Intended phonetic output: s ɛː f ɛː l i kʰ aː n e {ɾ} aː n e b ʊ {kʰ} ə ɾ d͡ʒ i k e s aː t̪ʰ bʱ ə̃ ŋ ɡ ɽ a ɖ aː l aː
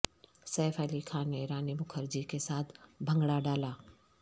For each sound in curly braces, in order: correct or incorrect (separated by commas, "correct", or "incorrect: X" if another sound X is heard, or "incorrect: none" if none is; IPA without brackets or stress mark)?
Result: correct, correct